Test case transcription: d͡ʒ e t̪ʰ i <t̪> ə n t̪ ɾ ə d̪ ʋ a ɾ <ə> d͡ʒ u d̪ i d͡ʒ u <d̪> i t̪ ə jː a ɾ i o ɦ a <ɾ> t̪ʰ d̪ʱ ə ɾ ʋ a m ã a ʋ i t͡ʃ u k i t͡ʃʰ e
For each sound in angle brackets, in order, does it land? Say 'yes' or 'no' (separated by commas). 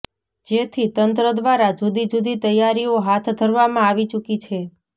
yes, no, yes, no